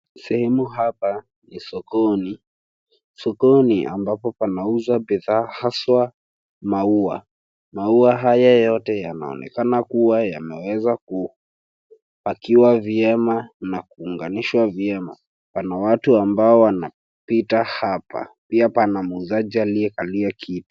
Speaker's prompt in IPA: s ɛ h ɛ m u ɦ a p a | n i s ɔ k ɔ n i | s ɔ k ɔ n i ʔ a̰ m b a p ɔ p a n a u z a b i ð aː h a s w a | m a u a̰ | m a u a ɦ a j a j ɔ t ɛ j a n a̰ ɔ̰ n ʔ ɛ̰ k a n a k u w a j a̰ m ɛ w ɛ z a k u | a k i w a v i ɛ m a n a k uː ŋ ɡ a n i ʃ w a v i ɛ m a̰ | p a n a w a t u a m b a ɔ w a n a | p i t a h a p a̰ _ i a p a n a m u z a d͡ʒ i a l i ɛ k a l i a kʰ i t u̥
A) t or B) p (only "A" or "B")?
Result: B